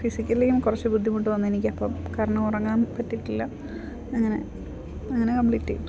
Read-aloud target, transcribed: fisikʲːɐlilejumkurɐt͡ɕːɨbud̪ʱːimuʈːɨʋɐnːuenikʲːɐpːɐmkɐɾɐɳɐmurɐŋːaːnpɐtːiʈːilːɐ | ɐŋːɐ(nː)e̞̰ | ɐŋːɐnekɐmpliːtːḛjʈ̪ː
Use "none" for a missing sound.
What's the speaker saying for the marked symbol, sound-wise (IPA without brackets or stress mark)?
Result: n